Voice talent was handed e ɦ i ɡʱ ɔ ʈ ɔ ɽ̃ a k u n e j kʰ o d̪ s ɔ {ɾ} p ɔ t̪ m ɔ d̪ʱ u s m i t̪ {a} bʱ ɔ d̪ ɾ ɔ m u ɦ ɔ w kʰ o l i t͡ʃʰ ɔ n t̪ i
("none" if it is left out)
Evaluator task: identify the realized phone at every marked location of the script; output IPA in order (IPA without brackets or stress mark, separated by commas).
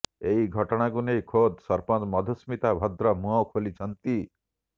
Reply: ɾ, a